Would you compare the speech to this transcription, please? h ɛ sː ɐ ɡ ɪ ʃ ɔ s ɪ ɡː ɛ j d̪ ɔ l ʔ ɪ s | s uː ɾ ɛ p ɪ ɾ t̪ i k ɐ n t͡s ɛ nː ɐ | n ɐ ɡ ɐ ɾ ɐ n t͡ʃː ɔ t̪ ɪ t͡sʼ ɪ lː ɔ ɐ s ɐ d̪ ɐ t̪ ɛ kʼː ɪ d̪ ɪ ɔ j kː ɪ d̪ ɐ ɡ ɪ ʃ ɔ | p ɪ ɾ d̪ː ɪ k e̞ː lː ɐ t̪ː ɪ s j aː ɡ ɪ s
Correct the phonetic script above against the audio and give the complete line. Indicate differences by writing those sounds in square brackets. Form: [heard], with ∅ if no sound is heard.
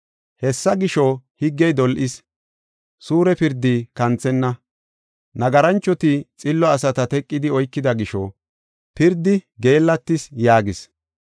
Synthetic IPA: h ɛ sː ɐ ɡ ɪ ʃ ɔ [h] ɪ ɡː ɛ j d̪ ɔ l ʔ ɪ s | s uː ɾ ɛ p ɪ ɾ [d̪] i k ɐ n t͡s ɛ nː ɐ | n ɐ ɡ ɐ ɾ ɐ n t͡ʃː ɔ t̪ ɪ t͡sʼ ɪ lː ɔ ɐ s ɐ [t̪] ɐ t̪ ɛ kʼː ɪ d̪ ɪ ɔ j kː ɪ d̪ ɐ ɡ ɪ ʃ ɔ | p ɪ ɾ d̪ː ɪ [ɡ] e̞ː lː ɐ t̪ː ɪ s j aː ɡ ɪ s